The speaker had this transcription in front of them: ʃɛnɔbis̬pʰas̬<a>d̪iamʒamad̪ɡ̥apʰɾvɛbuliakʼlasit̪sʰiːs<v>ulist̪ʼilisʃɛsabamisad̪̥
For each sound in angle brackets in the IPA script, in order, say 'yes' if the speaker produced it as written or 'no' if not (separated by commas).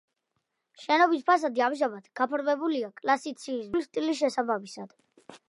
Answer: yes, yes